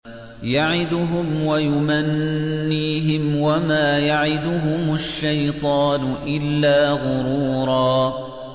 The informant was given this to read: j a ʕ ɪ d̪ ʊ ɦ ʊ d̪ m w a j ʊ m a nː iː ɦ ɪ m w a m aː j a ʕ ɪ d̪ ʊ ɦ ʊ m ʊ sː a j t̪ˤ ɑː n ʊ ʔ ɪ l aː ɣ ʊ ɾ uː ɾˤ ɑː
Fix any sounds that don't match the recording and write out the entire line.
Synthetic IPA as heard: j a ʕ ɪ d̪ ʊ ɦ ʊ m w a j ʊ m a nː iː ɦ ɪ m w a m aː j a ʕ ɪ d̪ ʊ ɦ ʊ m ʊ ʃː a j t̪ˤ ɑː n ʊ ʔ ɪ lː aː ɣ ʊ ɾ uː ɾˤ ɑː

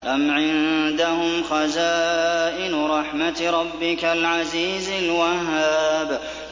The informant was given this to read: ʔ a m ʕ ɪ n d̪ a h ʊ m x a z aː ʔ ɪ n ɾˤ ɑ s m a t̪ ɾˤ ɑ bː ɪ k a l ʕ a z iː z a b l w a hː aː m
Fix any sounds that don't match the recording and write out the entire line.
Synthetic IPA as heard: ʔ a m ʕ ɪ n d̪ a h ʊ m x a z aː ʔ ɪ n ɾˤ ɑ ħ m a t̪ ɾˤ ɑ bː ɪ k a l ʕ a z iː z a l w a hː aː b

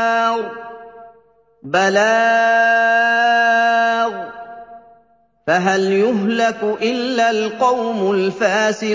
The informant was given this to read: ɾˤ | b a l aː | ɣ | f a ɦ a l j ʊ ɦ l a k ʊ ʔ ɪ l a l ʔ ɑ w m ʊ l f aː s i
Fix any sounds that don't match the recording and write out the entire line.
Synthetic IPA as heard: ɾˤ | b a l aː | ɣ | f a ɦ a l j ʊ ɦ l a k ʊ ʔ ɪ lː a l q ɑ w m ʊ l f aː s ɪ

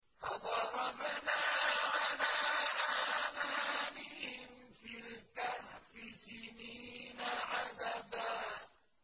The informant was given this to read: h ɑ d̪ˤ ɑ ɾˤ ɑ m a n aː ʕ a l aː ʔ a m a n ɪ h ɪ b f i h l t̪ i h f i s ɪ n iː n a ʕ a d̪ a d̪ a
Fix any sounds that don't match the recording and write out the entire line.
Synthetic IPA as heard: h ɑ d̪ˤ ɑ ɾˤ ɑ b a n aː ʕ a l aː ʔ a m a n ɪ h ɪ m f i l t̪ a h f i s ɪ n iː n a ʕ a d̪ a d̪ a

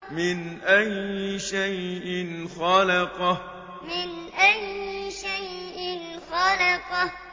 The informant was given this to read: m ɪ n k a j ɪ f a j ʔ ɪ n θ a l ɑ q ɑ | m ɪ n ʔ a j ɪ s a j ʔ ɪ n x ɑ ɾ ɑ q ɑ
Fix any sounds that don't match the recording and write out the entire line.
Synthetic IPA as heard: m ɪ n ʔ a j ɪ ʃ a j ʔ ɪ n x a l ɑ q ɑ | m ɪ n ʔ a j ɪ ʃ a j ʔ ɪ n x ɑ l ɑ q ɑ

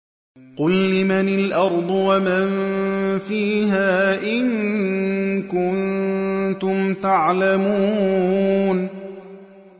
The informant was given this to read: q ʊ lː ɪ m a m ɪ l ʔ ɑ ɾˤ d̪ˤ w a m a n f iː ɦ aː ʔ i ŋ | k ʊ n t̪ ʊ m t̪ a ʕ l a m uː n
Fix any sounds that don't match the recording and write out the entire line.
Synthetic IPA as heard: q ʊ lː ɪ m a n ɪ l ʔ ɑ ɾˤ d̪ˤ w a m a n f iː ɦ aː ʔ ɪ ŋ | k ʊ n t̪ ʊ m t̪ a ʕ l a m uː n

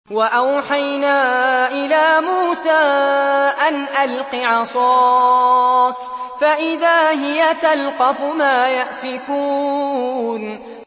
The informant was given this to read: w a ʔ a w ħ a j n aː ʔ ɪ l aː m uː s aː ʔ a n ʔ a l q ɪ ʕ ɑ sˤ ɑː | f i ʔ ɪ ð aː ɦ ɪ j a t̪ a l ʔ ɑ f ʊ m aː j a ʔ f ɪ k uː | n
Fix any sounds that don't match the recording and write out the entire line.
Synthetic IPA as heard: w a ʔ a w ħ a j n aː ʔ ɪ l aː m uː s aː ʔ a n ʔ a l q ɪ ʕ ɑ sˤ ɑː | f a ʔ ɪ ð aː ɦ ɪ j a t̪ a l q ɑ f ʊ m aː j a ʔ f ɪ k uː | n

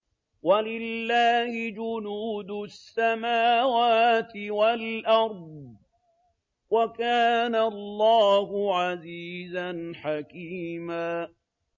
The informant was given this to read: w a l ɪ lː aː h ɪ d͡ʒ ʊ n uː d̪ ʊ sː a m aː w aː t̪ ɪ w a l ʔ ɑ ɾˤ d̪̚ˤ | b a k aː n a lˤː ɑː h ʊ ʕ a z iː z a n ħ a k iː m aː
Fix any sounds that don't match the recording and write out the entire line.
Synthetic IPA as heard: w a l ɪ lː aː h ɪ d͡ʒ ʊ n uː d̪ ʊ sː a m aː w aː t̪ ɪ w a l ʔ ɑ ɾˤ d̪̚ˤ | w a k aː n a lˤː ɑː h ʊ ʕ a z iː z a n ħ a k iː m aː

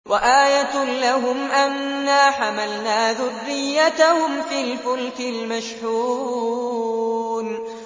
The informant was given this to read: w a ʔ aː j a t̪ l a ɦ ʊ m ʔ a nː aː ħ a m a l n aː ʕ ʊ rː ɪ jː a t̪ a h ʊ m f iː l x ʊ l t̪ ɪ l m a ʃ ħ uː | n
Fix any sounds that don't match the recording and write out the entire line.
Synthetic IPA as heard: w a ʔ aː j a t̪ l a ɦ ʊ m ʔ a nː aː ħ a m a l n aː ð ʊ rː ɪ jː a t̪ a h ʊ m f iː l f ʊ l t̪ ɪ l m a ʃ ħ uː | n

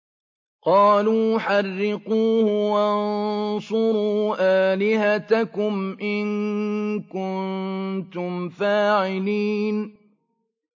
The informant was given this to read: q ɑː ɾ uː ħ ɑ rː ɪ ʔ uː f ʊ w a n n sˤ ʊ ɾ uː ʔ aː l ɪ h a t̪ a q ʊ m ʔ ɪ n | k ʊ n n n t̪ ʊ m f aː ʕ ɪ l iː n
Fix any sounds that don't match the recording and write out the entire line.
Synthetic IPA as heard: q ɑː l uː ħ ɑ rː ɪ q uː h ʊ w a n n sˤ ʊ ɾ uː ʔ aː l ɪ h a t̪ a k ʊ m ʔ ɪ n | k ʊ n n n t̪ ʊ m f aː ʕ ɪ l iː n

